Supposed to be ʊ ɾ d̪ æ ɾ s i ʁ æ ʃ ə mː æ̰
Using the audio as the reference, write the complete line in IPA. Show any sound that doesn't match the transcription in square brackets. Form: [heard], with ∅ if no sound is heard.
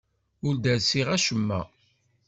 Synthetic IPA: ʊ ɾ d̪ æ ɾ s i ʁ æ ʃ ə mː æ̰